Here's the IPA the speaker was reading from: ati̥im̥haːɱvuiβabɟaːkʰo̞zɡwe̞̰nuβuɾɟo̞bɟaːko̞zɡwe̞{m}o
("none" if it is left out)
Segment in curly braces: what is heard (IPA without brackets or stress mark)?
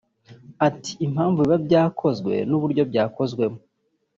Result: m